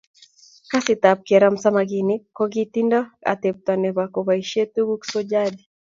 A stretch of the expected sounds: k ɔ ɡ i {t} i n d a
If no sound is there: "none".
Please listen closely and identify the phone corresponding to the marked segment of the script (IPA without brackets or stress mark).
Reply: t